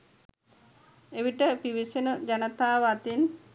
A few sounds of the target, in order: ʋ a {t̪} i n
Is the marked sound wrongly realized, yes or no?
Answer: no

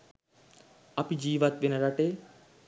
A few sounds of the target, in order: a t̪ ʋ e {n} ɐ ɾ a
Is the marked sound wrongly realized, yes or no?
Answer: no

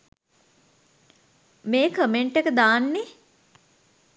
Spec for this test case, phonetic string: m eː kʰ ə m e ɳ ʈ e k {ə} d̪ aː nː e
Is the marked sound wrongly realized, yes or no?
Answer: no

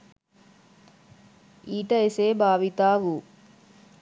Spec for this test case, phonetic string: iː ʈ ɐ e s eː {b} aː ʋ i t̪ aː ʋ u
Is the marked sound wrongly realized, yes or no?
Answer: no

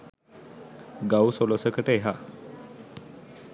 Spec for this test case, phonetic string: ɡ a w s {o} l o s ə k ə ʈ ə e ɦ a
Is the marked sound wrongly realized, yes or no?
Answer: no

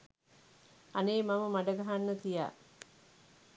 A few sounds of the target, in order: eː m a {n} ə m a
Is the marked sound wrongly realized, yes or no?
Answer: yes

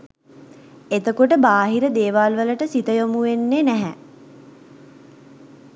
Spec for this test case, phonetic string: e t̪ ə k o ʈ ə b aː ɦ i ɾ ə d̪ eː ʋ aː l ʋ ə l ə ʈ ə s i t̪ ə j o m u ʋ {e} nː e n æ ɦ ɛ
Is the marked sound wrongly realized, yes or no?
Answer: no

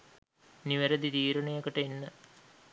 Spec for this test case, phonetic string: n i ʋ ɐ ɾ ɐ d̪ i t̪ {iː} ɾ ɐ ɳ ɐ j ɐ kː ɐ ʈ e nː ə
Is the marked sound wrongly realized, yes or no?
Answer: no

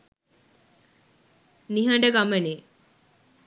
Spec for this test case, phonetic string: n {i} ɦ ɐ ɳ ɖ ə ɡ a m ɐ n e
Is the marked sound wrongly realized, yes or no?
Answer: no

